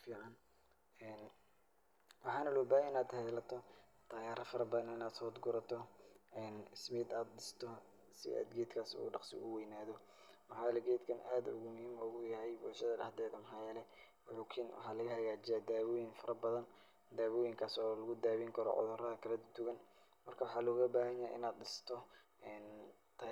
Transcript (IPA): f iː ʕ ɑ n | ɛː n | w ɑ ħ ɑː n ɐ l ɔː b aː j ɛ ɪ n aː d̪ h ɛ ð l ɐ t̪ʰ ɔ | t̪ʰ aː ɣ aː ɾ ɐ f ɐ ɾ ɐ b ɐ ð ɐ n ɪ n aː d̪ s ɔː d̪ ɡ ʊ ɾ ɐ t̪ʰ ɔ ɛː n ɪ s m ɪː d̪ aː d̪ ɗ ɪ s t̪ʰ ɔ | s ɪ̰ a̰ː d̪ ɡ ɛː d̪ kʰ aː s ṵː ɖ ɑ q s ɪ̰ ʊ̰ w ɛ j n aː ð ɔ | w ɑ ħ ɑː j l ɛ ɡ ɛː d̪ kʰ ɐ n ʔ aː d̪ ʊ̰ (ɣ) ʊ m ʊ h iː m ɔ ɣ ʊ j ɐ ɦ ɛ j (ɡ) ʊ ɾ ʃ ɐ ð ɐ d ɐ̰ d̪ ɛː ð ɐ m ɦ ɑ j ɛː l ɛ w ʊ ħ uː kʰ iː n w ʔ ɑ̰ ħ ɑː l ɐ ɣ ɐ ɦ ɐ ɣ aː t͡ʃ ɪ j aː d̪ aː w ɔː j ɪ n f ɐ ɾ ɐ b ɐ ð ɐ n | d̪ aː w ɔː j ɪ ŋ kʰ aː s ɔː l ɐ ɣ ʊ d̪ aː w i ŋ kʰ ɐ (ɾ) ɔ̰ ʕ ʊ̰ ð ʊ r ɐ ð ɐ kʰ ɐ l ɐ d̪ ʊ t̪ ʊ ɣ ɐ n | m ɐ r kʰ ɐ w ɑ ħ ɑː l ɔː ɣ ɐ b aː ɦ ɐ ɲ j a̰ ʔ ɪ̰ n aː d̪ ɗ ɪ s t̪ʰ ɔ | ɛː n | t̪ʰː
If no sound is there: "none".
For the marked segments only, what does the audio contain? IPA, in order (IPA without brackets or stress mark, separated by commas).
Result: ɣ, b, ɾ